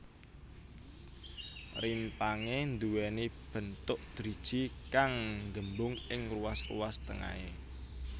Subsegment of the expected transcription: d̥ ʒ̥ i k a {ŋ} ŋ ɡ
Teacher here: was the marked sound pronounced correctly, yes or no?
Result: yes